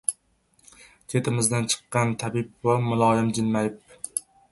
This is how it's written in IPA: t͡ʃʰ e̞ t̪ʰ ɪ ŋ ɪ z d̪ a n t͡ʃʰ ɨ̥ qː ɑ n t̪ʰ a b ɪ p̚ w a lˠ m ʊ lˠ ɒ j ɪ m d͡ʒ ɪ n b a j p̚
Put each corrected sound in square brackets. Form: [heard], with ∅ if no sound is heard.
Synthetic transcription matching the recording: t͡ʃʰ e̞ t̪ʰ ɪ [m] ɪ z d̪ a n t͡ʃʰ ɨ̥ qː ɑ n t̪ʰ a b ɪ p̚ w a [∅] m ʊ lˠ ɒ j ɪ m d͡ʒ ɪ n [m] a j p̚

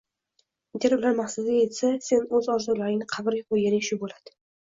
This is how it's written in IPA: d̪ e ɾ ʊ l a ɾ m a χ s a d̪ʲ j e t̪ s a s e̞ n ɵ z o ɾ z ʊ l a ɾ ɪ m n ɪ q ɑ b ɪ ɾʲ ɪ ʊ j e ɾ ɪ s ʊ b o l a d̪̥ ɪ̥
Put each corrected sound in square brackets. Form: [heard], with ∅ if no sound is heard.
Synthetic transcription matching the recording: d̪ e ɾ ʊ l a ɾ m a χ s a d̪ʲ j e t̪ s a s e̞ n ɵ z [ɒ] ɾ z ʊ l a ɾ ɪ [ŋ] n ɪ [qʰ] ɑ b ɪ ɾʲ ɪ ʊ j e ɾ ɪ [ʃ] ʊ b o l a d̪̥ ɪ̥

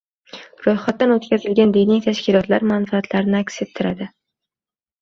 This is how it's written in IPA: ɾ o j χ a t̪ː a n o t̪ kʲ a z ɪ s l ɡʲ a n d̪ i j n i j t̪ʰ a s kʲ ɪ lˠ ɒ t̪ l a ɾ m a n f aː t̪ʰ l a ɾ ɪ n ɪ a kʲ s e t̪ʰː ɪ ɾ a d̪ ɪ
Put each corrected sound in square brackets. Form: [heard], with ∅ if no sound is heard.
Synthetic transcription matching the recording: ɾ o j χ a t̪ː a n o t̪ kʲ a z ɪ [∅] l ɡʲ a n d̪ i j n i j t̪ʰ a [ʃ] kʲ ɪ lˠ ɒ t̪ l a ɾ m a n f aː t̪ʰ l a ɾ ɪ n ɪ a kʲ s e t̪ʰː ɪ ɾ a d̪ ɪ

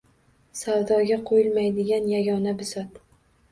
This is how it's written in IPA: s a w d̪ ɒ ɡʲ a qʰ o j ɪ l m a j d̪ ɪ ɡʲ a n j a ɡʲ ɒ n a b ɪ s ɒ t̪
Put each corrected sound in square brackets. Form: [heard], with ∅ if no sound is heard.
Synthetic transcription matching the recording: s a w d̪ ɒ ɡʲ a qʰ o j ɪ l m a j d̪ ɪ ɡʲ a n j a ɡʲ ɒ n a b ɪ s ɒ t̪

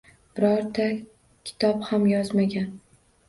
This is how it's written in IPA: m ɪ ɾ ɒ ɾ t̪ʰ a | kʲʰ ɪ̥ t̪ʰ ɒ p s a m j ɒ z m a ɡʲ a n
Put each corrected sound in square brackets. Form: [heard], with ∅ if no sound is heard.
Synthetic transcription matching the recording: [b] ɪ ɾ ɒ ɾ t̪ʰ a | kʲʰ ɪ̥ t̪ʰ ɒ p [h] a m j ɒ z m a ɡʲ a n

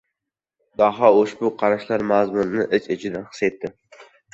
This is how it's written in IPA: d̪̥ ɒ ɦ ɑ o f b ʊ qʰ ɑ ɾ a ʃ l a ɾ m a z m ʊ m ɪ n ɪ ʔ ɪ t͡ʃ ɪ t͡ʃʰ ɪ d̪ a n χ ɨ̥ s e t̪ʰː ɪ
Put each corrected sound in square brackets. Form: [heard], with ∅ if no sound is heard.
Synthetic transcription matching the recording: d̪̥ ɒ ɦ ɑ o [ʃ] b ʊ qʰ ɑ ɾ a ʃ l a ɾ m a z m ʊ [n] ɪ n ɪ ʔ ɪ t͡ʃ ɪ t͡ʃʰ ɪ d̪ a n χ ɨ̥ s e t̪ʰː ɪ

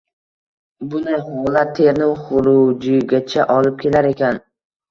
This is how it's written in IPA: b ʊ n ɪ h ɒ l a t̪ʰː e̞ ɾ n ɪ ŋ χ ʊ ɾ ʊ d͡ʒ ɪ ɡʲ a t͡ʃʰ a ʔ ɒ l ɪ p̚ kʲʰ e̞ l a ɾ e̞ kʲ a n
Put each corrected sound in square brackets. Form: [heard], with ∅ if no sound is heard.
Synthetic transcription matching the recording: b ʊ n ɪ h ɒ l a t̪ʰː e̞ ɾ n ɪ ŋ χ ʊ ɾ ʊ d͡ʒ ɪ ɡʲ a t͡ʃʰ a ʔ ɒ l ɪ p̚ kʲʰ e̞ l a ɾ e̞ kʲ a n

